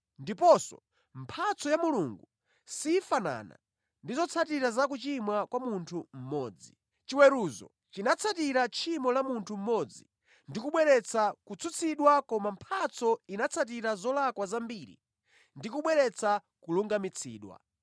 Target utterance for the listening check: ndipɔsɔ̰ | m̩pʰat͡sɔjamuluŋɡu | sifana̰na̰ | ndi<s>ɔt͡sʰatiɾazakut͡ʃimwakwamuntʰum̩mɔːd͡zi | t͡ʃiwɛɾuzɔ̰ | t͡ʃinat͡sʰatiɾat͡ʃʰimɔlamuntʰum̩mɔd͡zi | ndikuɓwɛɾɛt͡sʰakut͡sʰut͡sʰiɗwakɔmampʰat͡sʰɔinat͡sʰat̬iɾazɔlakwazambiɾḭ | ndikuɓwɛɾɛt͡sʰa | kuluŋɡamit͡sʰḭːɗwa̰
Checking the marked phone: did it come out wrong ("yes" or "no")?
yes